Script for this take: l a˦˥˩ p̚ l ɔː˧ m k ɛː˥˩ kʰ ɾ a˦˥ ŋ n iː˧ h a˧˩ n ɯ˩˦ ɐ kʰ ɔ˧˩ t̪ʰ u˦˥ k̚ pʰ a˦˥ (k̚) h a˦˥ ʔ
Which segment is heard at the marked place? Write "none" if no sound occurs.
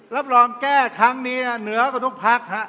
k̚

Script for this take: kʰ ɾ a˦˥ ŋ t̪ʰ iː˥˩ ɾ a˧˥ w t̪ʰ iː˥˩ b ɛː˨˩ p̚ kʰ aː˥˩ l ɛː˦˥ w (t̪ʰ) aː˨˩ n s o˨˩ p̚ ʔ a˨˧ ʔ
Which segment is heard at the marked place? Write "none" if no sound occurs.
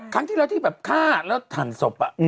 t̪ʰ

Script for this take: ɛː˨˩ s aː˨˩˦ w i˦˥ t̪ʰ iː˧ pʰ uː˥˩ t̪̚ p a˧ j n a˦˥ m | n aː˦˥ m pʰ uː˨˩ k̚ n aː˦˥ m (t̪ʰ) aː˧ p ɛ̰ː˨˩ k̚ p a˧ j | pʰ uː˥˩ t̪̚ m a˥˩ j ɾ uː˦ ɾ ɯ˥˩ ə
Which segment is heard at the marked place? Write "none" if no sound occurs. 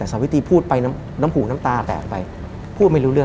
t̪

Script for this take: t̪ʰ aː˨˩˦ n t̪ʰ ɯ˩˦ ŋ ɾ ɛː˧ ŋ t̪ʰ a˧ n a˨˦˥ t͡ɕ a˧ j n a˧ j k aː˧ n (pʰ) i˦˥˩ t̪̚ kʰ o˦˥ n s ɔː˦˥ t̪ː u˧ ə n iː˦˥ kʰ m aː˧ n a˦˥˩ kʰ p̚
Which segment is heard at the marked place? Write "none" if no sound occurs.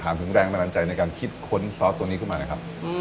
kʰ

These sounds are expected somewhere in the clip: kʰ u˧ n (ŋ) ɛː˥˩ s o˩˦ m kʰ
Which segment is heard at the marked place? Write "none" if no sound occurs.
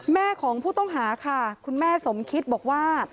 m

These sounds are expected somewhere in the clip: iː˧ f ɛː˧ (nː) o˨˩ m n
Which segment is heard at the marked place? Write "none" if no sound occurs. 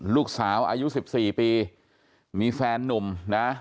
nː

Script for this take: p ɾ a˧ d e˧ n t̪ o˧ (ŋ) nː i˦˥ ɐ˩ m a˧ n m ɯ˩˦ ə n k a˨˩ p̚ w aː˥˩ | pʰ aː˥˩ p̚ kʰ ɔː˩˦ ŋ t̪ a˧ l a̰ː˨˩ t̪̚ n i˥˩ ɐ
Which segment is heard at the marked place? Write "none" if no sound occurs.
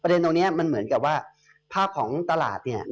ŋ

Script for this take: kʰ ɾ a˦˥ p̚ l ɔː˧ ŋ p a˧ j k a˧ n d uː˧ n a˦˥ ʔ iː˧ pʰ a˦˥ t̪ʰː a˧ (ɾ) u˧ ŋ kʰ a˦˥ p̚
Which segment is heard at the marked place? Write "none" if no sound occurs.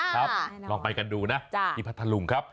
l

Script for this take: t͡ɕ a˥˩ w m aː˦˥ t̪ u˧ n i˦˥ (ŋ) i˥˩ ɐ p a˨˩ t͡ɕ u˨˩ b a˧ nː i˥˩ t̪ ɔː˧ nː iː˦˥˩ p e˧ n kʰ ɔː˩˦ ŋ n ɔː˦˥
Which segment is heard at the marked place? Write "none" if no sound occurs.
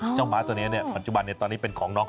n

